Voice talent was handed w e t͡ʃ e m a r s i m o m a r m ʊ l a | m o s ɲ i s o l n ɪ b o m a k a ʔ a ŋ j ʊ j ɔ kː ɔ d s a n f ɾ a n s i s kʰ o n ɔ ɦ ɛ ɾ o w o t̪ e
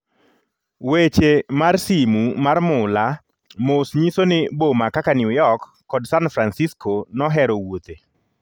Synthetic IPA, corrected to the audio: w e t͡ʃ e m a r s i m u m a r m ʊ l a | m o s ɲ i s o n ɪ b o m a k a k a n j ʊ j ɔ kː ɔ d s a n f ɾ a n s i s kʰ o n ɔ ɦ ɛ ɾ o w o t̪ e